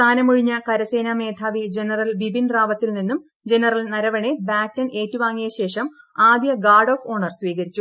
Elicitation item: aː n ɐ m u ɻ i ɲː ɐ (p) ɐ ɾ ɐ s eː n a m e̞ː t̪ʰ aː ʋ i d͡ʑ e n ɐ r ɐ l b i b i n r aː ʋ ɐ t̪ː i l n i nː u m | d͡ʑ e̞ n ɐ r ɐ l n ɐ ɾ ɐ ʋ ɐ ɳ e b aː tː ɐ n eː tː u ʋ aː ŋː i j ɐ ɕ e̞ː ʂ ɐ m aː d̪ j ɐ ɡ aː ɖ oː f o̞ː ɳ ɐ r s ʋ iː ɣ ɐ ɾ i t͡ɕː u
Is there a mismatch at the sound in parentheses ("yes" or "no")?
yes